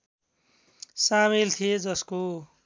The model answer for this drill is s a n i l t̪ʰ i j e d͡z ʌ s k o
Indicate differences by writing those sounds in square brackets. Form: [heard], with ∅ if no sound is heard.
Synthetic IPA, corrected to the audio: s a [m] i l t̪ʰ i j e d͡z ʌ s k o